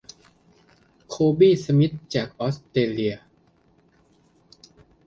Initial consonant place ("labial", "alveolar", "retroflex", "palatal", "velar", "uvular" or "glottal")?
velar